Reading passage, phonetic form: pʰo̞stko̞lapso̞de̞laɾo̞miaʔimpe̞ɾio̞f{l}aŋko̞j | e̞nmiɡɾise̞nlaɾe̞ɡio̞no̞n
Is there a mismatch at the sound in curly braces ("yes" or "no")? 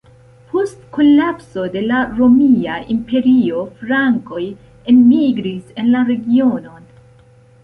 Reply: yes